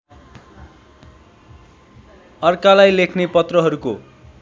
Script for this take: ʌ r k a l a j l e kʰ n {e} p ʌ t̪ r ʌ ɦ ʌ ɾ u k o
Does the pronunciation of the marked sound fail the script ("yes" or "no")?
no